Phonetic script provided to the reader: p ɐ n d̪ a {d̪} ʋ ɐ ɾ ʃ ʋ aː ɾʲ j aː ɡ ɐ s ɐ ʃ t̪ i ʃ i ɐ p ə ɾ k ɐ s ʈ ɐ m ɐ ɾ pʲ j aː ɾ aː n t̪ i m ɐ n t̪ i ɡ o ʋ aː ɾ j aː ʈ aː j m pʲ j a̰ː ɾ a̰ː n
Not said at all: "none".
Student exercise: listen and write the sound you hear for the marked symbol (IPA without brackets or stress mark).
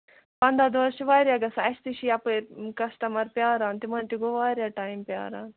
d̪